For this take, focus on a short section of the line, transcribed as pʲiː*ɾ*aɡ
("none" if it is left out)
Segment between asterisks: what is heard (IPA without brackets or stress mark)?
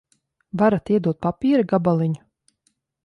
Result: ɾ